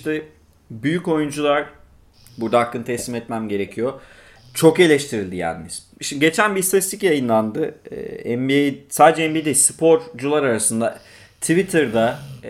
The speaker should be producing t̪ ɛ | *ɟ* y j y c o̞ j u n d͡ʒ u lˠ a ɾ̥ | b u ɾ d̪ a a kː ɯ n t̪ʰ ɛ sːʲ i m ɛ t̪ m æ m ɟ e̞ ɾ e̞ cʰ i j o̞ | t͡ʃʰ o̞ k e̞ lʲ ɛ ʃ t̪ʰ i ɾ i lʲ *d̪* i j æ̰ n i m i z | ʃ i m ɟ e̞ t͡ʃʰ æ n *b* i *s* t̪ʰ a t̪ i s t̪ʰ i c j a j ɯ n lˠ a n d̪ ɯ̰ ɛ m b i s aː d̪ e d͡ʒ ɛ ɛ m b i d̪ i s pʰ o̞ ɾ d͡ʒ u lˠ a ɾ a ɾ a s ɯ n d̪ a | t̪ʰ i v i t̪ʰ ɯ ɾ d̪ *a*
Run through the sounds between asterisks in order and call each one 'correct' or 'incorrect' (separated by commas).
incorrect, correct, correct, correct, correct